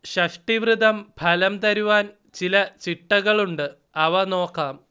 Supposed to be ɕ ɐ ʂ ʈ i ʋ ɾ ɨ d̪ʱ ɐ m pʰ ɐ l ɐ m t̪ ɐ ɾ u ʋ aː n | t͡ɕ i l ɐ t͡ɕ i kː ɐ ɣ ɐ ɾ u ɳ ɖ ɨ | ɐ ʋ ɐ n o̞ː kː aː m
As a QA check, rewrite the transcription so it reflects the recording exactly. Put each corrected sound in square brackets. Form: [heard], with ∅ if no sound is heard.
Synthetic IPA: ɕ ɐ ʂ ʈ i ʋ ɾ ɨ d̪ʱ ɐ m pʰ ɐ l ɐ m t̪ ɐ ɾ u ʋ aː n | t͡ɕ i l ɐ t͡ɕ i [ʈː] ɐ ɣ ɐ [ɭ] u ɳ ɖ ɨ | ɐ ʋ ɐ n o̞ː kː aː m